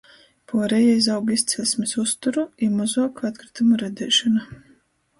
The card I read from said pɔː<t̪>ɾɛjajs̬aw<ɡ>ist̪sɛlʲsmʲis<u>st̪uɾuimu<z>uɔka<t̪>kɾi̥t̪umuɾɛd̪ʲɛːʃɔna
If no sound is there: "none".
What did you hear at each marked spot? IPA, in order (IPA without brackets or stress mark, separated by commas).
none, ɡ, u, z, t̪